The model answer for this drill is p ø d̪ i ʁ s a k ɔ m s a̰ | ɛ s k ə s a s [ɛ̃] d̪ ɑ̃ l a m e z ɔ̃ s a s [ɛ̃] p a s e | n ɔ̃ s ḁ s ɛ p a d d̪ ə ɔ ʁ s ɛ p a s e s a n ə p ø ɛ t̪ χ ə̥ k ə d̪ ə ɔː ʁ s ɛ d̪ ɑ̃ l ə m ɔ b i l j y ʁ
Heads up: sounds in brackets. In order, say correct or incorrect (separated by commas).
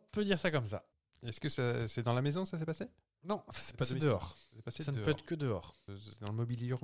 incorrect, incorrect